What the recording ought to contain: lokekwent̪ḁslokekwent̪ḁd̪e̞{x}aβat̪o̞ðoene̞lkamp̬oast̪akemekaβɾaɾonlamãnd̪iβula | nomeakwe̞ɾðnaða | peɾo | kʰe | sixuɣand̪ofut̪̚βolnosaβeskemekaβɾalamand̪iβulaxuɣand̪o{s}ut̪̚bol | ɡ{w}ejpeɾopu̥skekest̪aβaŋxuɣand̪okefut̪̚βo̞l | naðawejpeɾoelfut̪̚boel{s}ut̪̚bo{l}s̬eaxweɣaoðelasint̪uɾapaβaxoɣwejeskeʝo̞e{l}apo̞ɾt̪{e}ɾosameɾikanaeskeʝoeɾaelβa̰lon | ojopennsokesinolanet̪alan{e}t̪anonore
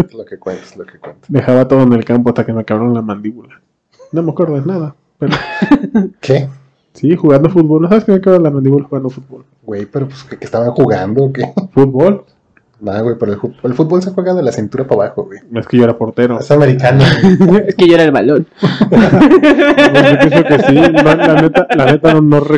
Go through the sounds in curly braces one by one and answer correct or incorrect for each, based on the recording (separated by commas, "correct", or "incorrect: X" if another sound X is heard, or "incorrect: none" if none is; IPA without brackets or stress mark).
correct, incorrect: f, correct, incorrect: f, correct, incorrect: ɾ, correct, correct